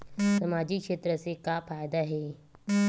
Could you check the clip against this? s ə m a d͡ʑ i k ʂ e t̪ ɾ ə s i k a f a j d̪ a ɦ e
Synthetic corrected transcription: s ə m a d͡ʑ i k ʂ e t̪ ɾ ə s e k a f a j d̪ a ɦ e